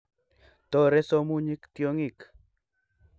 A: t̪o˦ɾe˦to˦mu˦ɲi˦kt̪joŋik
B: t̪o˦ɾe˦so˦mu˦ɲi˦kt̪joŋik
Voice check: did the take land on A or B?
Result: B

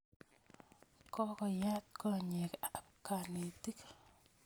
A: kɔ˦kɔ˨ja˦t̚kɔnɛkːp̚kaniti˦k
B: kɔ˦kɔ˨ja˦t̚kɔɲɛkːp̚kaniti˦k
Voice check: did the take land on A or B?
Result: B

